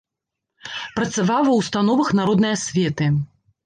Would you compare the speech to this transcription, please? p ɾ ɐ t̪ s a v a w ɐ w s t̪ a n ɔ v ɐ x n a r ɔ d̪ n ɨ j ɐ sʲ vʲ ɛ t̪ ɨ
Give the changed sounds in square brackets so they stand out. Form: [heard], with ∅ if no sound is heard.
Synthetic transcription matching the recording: p ɾ ɐ t̪ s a v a w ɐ w s t̪ a n ɔ v ɐ x n a [ɾ] ɔ d̪ n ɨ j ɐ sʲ vʲ ɛ t̪ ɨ